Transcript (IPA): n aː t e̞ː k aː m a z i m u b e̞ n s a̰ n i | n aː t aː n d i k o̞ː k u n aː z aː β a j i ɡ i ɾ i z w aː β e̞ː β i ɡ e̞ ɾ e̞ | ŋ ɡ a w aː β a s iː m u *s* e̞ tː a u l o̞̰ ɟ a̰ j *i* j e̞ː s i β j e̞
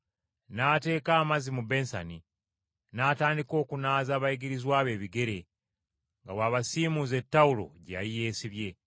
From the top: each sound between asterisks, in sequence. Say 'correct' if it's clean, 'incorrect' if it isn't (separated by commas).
incorrect, correct